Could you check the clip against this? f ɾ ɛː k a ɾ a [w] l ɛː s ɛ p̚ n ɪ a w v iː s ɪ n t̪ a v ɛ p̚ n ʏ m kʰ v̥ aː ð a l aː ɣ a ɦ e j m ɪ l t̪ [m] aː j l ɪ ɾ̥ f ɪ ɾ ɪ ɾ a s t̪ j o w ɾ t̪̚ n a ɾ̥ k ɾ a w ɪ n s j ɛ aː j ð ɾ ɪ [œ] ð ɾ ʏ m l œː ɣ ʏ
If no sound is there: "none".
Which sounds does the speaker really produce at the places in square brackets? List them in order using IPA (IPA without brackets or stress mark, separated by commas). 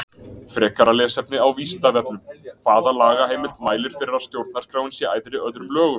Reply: none, m, œ